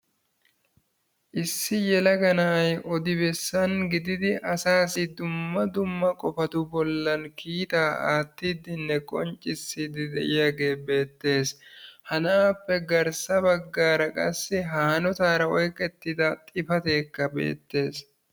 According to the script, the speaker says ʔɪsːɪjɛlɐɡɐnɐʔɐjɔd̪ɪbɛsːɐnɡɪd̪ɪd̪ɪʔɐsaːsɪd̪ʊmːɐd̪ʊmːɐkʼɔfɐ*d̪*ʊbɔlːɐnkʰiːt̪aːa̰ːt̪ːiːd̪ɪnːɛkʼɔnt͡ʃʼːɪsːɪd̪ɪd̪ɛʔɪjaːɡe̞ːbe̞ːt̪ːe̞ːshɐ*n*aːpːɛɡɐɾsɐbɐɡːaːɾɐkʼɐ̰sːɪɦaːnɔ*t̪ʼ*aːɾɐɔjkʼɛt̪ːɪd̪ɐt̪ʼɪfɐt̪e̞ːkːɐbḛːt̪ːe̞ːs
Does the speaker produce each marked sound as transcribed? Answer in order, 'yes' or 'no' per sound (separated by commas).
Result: no, yes, no